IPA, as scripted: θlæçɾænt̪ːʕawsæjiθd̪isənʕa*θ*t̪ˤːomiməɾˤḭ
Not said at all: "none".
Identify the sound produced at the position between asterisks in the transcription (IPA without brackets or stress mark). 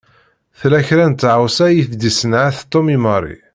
θ